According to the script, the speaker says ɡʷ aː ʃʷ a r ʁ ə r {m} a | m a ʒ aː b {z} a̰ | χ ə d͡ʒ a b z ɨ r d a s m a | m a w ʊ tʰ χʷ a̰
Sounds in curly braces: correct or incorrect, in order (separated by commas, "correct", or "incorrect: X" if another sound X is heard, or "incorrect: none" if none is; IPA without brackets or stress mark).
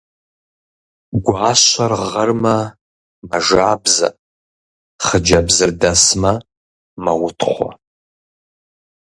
correct, correct